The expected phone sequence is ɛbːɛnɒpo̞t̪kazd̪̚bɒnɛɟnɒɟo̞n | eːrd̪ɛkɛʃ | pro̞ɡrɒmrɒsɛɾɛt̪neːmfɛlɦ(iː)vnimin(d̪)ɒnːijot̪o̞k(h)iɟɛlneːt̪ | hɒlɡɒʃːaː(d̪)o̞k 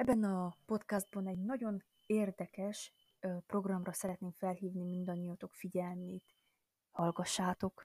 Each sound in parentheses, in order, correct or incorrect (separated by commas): correct, correct, incorrect, incorrect